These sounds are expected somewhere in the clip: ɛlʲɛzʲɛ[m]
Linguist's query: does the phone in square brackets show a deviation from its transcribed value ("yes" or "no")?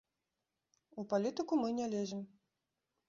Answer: no